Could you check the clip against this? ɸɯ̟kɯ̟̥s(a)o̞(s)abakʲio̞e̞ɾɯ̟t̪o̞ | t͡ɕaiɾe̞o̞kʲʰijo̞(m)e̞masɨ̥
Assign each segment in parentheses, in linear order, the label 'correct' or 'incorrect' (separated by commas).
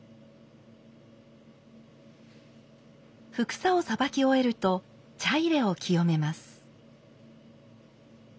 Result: correct, correct, correct